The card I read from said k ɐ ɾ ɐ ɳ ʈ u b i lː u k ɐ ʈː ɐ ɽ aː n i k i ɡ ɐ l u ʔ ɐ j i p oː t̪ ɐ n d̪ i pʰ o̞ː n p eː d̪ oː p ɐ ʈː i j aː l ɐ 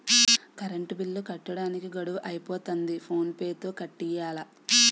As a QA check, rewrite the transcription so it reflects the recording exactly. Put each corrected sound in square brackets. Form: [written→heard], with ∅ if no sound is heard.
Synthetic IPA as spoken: k ɐ ɾ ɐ ɳ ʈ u b i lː u k ɐ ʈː ɐ ɽ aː n i k i ɡ ɐ [l→ɽ] u ʔ ɐ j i p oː t̪ ɐ n d̪ i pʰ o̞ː n p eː [d̪→t̪] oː [p→k] ɐ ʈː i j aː l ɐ

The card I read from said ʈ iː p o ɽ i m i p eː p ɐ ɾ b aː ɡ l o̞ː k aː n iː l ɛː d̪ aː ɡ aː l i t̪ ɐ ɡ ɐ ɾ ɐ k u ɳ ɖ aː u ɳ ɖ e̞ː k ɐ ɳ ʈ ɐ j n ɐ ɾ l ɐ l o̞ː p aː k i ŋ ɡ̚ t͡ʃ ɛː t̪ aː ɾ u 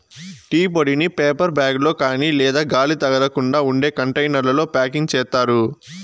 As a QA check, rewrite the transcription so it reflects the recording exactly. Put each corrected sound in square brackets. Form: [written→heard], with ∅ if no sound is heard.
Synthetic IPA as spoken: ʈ iː p o ɽ i [m→n] i p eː p ɐ ɾ b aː ɡ l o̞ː k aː n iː l ɛː d̪ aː ɡ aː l i t̪ ɐ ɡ ɐ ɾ ɐ k u ɳ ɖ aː u ɳ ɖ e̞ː k ɐ ɳ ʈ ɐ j n ɐ ɾ l ɐ l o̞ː p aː k i ŋ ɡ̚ t͡ʃ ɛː t̪ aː ɾ u

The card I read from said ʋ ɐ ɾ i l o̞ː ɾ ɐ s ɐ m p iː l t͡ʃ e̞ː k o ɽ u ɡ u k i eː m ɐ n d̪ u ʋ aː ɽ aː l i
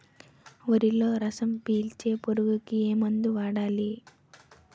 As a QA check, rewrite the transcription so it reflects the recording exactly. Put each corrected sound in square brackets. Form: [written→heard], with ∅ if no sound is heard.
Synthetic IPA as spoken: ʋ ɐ ɾ i l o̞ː ɾ ɐ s ɐ m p iː l t͡ʃ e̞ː [k→p] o [ɽ→ɾ] u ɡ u k i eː m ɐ n d̪ u ʋ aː ɽ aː l i

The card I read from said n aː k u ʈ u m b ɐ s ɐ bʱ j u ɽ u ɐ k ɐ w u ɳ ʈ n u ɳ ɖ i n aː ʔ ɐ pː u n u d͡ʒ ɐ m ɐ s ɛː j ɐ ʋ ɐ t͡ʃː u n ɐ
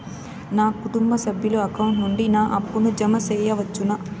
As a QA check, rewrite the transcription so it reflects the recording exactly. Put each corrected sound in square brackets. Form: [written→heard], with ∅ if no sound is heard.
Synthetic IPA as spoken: n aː k u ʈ u m b ɐ s ɐ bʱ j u [ɽ→l] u ɐ k ɐ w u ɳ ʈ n u ɳ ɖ i n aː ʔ ɐ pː u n u d͡ʒ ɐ m ɐ s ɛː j ɐ ʋ ɐ t͡ʃː u n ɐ

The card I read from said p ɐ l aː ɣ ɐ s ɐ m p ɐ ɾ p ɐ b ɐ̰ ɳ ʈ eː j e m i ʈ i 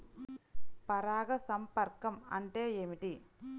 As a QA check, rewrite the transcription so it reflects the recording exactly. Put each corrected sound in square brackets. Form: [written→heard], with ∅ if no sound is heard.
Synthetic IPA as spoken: p ɐ [l→ɾ] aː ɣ ɐ s ɐ m p ɐ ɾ [p→k] ɐ [b→m] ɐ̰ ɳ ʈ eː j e m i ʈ i

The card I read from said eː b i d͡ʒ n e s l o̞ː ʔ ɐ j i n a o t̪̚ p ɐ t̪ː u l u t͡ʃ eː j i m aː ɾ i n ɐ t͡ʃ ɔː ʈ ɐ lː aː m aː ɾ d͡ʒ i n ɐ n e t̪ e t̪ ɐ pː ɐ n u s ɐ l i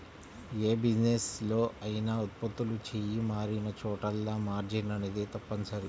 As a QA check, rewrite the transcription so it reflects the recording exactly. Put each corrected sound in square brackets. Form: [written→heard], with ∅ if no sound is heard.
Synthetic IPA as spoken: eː b i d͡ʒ n e s l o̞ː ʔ ɐ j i n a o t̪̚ p ɐ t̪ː u l u t͡ʃ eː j i m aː ɾ i n ɐ t͡ʃ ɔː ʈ ɐ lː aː m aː ɾ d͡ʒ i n ɐ n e [t̪→d̪] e t̪ ɐ pː ɐ n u s ɐ [l→ɾ] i

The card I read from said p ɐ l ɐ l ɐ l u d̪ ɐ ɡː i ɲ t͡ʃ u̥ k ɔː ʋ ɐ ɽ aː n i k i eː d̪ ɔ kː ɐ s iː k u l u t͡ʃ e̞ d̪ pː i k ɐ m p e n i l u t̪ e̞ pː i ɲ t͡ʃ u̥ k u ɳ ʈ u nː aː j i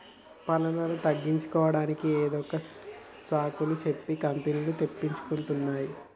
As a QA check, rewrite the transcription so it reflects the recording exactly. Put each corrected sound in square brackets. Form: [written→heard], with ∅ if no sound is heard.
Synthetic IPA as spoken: p ɐ l ɐ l ɐ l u [d̪→t̪] ɐ ɡː i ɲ t͡ʃ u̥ k ɔː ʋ ɐ ɽ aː n i k i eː d̪ ɔ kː ɐ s [iː→aː] k u l u t͡ʃ e̞ [d̪→∅] pː i k ɐ m p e n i l u t̪ e̞ pː i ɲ t͡ʃ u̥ k u ɳ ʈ u nː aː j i

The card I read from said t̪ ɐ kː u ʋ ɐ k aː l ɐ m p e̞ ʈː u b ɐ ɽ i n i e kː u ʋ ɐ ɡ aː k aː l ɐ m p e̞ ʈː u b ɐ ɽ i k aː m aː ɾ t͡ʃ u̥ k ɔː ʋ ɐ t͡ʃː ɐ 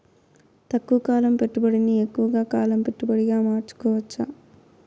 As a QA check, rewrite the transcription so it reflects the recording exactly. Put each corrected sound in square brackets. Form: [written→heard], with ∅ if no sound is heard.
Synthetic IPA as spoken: t̪ ɐ kː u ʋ ɐ k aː l ɐ m p e̞ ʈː u b ɐ ɽ i n i e kː u ʋ ɐ ɡ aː k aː l ɐ m p e̞ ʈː u b ɐ ɽ i [k→ɡ] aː m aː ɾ t͡ʃ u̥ k ɔː ʋ ɐ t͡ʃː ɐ

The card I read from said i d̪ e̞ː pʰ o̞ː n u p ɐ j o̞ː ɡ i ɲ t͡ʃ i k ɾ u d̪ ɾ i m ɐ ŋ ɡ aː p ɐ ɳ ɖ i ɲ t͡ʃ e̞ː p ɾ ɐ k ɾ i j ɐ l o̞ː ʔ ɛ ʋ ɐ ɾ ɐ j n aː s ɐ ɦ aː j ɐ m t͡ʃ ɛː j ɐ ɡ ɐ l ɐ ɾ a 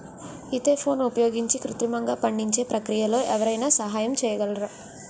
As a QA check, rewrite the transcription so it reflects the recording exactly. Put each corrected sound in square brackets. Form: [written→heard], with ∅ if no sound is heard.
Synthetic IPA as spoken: i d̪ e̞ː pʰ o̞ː n u p ɐ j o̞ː ɡ i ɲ t͡ʃ i k ɾ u [d̪→t̪] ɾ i m ɐ ŋ ɡ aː p ɐ ɳ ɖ i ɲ t͡ʃ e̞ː p ɾ ɐ k ɾ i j ɐ l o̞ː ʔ ɛ ʋ ɐ ɾ ɐ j n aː s ɐ ɦ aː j ɐ m t͡ʃ ɛː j ɐ ɡ ɐ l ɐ ɾ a

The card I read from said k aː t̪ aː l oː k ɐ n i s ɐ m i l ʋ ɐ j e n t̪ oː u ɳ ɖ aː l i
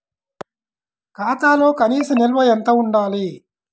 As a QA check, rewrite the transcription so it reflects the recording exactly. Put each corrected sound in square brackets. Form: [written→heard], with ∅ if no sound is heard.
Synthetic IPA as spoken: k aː t̪ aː l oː k ɐ n [i→iː] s ɐ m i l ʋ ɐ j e n t̪ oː u ɳ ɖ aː l i

